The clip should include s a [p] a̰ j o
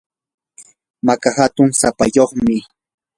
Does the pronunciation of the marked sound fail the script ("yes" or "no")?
no